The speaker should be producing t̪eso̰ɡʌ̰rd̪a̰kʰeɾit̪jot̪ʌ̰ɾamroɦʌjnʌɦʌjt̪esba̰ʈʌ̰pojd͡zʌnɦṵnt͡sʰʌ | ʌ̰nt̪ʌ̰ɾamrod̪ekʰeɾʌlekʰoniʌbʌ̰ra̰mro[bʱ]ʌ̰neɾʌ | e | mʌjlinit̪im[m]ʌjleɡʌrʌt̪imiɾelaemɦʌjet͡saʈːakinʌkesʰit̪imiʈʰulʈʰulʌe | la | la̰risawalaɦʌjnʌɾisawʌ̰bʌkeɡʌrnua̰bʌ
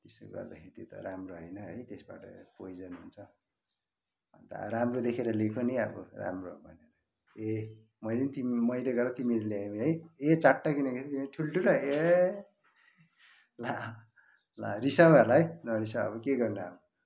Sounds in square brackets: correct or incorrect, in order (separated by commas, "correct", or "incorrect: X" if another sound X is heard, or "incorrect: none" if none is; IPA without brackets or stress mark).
correct, correct